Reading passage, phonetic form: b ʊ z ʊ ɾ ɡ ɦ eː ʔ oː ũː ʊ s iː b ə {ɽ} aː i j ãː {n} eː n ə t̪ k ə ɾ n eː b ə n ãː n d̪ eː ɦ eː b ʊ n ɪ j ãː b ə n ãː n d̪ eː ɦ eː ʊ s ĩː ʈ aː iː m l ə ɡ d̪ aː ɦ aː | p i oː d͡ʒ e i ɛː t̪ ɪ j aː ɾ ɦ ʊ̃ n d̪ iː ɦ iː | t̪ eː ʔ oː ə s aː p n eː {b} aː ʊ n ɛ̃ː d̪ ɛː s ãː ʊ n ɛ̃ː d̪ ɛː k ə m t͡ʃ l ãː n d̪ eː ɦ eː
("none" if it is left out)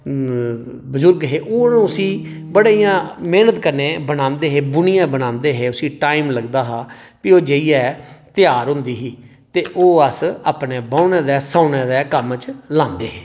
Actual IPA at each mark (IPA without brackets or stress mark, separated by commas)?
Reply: ɽ, m, b